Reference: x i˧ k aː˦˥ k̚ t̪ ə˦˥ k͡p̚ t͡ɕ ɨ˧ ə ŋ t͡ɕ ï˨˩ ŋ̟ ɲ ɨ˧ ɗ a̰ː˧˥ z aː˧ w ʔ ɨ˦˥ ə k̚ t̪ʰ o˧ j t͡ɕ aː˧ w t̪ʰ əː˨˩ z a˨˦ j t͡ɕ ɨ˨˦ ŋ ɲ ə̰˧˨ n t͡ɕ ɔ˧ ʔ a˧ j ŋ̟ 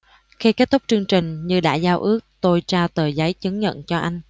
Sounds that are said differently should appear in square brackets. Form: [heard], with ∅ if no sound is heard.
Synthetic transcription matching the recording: x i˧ k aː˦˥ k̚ t̪ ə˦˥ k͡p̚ t͡ɕ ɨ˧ ə ŋ t͡ɕ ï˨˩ ŋ̟ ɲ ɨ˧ ɗ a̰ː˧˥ z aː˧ w ʔ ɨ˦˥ ə k̚ [t̪] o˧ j t͡ɕ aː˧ w [t̪] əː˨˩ z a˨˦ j t͡ɕ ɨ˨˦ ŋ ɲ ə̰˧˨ n t͡ɕ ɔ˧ ʔ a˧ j ŋ̟

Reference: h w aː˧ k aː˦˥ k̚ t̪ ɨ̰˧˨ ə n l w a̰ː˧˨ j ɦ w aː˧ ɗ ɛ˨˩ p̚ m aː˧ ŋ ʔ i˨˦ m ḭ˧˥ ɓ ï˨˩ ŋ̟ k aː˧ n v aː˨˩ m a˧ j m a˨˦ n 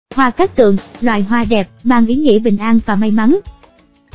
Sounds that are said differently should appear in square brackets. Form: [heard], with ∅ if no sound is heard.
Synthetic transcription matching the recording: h w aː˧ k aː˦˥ k̚ t̪ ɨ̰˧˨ ə [ŋ] l w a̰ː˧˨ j ɦ w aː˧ ɗ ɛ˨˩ p̚ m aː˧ ŋ ʔ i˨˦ [ŋ] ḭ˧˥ ɓ ï˨˩ ŋ̟ [ʔ] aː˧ n v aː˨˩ m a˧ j m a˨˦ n

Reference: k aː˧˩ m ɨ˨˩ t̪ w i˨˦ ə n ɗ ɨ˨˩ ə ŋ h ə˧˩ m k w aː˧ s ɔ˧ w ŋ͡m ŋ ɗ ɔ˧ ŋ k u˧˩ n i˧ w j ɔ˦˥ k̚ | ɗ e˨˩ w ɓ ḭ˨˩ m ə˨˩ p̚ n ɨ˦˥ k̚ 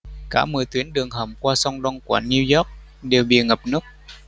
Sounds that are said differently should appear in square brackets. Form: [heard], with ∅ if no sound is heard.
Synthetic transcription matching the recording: k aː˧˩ m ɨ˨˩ t̪ w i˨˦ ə n ɗ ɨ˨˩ ə ŋ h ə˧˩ m k w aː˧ s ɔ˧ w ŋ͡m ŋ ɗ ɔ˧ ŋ k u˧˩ n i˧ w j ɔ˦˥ k̚ | ɗ e˨˩ w ɓ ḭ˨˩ [ŋ] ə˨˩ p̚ n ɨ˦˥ k̚

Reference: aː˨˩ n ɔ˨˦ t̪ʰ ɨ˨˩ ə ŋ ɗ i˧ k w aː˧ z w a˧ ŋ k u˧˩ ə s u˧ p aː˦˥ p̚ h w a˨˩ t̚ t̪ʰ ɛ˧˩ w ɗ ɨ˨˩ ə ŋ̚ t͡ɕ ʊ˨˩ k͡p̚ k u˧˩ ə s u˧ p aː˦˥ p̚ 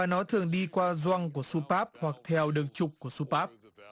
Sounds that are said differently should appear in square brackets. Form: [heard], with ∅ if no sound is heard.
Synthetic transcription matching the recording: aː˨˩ n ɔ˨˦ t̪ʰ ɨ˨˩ ə ŋ ɗ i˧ k w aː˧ z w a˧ ŋ k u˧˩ ə s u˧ p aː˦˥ p̚ h w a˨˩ [k̚] t̪ʰ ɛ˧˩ w ɗ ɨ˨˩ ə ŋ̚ t͡ɕ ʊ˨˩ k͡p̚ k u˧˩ ə s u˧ p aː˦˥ p̚

